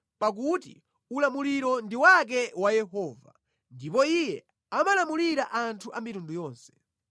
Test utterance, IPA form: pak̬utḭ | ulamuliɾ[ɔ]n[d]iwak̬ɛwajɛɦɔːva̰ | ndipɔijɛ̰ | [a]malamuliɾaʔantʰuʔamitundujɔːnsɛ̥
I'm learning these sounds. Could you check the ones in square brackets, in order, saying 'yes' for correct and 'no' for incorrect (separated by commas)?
yes, yes, yes